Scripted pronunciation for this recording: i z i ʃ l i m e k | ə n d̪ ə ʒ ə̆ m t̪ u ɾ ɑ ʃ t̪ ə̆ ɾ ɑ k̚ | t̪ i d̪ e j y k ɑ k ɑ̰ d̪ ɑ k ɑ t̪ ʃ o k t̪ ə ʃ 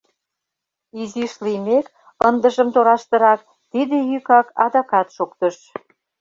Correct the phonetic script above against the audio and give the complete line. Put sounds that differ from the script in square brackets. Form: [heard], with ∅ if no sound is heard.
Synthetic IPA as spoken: i z i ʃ l i m e k | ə n d̪ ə ʒ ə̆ m t̪ [o] ɾ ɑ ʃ t̪ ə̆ ɾ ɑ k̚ | t̪ i d̪ e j y k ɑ k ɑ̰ d̪ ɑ k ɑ t̪ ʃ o k t̪ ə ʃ